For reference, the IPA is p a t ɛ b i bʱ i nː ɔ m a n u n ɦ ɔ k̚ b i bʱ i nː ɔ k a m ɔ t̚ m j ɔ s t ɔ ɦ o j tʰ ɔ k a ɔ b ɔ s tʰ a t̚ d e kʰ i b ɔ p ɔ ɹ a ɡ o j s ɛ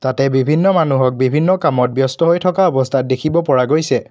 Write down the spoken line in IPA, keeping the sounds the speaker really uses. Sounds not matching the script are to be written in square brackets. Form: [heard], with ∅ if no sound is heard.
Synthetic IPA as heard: [t] a t ɛ b i bʱ i nː ɔ m a n u [∅] ɦ ɔ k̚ b i bʱ i nː ɔ k a m ɔ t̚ [b] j ɔ s t ɔ ɦ o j tʰ ɔ k a ɔ b ɔ s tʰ a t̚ d e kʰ i b ɔ p ɔ ɹ a ɡ o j s ɛ